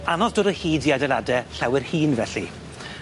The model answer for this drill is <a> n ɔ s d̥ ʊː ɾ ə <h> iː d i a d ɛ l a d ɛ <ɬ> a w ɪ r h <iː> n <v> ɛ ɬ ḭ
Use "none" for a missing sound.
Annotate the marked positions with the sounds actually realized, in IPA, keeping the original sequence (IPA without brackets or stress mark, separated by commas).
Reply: a, h, ɬ, iː, v